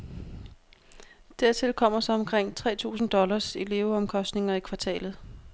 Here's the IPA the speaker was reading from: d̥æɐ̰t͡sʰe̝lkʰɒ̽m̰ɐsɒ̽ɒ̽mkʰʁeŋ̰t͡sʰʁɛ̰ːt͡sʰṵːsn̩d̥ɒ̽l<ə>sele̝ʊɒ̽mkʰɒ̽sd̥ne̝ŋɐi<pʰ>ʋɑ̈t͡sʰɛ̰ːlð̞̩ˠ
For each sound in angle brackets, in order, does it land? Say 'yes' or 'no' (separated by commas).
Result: no, no